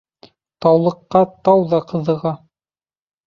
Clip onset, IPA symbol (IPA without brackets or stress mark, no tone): t̪